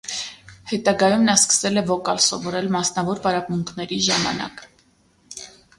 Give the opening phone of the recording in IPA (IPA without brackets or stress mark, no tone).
h